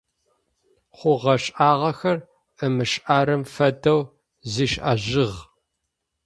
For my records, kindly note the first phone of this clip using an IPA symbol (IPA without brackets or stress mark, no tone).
χʷ